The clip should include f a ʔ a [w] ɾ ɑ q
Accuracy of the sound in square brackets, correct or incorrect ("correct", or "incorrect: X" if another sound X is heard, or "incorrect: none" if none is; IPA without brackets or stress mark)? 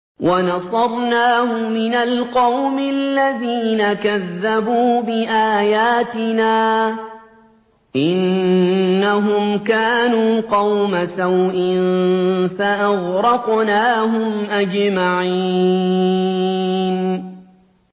incorrect: ɣ